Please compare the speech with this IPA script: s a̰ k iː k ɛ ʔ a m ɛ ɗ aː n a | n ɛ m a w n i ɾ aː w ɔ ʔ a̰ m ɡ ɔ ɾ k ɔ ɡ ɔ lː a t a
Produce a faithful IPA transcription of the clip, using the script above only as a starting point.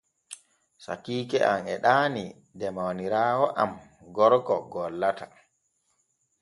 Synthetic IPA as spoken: s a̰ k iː k ɛ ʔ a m ɛ ɗ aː n i | d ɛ m a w n i ɾ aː w ɔ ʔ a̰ m ɡ ɔ ɾ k ɔ ɡ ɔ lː a t a